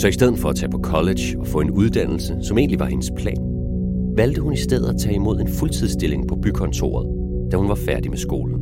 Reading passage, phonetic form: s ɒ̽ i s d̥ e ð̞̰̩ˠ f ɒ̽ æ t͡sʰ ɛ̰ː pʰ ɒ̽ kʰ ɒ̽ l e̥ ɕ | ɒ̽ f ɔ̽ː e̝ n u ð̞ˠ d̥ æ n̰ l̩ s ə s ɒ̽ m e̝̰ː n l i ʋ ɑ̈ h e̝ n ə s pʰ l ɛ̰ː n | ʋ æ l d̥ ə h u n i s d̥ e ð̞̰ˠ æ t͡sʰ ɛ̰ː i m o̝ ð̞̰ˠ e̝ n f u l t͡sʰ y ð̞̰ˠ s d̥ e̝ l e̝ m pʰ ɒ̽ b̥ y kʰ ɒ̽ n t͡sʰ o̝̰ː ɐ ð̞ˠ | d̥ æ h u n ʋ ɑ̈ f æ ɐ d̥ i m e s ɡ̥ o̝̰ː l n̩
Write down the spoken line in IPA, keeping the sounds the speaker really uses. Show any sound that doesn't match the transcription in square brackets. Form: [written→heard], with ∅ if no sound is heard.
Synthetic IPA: s ɒ̽ i s d̥ e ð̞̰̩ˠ f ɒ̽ æ t͡sʰ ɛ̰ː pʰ ɒ̽ kʰ ɒ̽ l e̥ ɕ | ɒ̽ f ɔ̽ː e̝ n u ð̞ˠ d̥ æ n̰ l̩ s ə s ɒ̽ m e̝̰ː n l i ʋ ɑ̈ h e̝ n ə s pʰ l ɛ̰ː n | ʋ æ l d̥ ə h u n i s d̥ e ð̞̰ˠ æ t͡sʰ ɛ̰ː i m o̝ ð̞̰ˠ e̝ n f u l t͡sʰ [y→i] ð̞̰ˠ s d̥ e̝ l e̝ [m→ŋ] pʰ ɒ̽ b̥ y kʰ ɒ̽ n t͡sʰ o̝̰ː ɐ ð̞ˠ | d̥ æ h u n ʋ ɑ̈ f æ ɐ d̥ i m e s ɡ̥ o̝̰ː l n̩